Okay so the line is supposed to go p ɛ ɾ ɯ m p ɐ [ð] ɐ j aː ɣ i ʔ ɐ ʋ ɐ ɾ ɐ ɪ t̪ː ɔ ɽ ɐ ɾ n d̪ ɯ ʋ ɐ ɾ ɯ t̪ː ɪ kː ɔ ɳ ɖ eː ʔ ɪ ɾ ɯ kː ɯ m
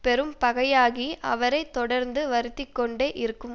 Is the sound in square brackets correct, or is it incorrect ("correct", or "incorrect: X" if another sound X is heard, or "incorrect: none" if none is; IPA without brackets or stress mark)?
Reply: incorrect: ɣ